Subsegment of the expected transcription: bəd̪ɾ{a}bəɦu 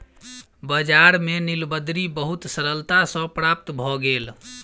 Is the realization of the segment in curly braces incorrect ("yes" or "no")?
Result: yes